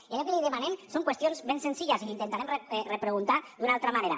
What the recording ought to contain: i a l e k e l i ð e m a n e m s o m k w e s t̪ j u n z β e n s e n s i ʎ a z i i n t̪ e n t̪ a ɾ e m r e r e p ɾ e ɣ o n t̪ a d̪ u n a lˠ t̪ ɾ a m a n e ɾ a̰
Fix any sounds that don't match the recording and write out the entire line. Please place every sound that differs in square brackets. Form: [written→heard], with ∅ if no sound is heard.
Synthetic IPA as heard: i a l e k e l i ð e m a n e m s o [m→ŋ] k w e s t̪ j [u→o] n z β e n s e n s i ʎ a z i i n t̪ e n t̪ a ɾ e m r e r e p ɾ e ɣ [o→u] n t̪ a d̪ u n a lˠ t̪ ɾ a m a n e ɾ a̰